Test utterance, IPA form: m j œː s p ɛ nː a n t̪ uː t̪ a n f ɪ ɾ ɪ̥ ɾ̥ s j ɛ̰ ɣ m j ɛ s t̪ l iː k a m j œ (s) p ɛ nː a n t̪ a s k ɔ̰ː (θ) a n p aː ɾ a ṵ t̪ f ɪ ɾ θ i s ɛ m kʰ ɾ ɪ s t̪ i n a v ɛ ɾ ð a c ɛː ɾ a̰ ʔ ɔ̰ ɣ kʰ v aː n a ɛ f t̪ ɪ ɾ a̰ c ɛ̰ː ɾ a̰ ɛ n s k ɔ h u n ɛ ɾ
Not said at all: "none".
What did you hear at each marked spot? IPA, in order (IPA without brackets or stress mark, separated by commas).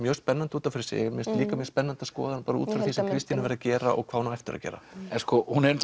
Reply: s, ð